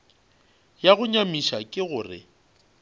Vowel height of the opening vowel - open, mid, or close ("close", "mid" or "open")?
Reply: open